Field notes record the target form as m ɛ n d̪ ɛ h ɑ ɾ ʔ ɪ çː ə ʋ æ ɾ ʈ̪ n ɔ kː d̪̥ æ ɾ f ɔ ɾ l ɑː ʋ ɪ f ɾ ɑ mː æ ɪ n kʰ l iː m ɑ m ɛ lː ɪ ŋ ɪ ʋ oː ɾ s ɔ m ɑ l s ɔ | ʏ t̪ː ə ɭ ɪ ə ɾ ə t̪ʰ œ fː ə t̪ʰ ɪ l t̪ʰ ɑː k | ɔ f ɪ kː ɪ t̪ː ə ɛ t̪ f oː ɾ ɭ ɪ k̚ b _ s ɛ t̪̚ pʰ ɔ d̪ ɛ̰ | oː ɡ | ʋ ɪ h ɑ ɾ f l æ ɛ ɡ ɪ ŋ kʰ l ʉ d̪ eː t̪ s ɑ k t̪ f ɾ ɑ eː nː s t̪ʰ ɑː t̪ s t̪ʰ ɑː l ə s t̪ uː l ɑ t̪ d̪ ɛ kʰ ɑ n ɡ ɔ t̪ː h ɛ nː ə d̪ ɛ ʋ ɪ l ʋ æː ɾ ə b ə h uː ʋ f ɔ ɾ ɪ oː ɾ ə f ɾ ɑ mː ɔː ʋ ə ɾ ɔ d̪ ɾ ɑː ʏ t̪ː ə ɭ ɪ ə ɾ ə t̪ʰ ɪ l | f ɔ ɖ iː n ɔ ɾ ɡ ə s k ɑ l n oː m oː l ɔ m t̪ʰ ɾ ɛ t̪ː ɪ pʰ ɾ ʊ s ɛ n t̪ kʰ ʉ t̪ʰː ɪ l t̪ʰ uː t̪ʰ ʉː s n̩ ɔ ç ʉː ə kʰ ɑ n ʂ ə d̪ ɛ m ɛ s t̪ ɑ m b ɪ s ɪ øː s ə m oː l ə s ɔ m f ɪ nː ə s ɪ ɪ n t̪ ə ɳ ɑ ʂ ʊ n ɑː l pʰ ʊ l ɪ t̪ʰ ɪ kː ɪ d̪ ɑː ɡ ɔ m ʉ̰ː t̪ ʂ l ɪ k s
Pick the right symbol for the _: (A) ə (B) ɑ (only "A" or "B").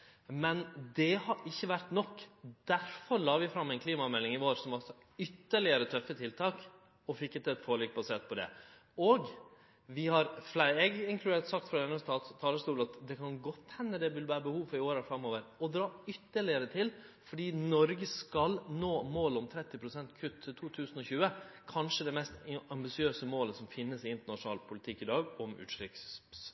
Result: B